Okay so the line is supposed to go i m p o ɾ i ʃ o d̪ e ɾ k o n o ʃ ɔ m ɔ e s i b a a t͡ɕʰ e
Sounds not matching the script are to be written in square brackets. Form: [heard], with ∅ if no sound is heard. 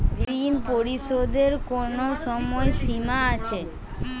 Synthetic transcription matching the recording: i [n] p o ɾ i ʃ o d̪ e ɾ k o n o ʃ ɔ m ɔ e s i [m] a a t͡ɕʰ e